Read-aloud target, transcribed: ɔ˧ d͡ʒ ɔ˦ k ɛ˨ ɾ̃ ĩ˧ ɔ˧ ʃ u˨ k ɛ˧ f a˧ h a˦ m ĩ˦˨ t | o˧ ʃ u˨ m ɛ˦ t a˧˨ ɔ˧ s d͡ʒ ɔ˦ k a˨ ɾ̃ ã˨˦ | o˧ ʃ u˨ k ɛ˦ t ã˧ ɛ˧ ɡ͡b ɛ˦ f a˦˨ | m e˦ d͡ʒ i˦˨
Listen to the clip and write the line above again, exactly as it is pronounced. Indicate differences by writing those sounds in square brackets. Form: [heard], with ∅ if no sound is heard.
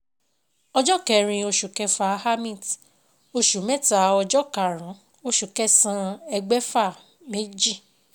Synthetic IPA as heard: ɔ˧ d͡ʒ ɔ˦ k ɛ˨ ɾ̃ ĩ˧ [o˧] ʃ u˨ k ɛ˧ f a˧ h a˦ m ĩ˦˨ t | o˧ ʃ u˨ m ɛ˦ t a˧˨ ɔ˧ [∅] d͡ʒ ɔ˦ k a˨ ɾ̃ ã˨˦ | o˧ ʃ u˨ k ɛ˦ [s] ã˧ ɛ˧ ɡ͡b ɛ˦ f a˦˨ | m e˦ d͡ʒ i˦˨